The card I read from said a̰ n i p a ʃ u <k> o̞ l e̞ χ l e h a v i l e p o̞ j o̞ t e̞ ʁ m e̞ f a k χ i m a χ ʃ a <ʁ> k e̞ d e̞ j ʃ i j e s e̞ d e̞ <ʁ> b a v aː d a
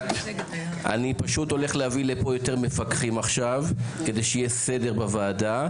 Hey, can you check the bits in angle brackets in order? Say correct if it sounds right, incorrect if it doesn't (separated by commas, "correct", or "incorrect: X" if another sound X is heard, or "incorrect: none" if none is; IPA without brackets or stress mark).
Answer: incorrect: t, incorrect: v, correct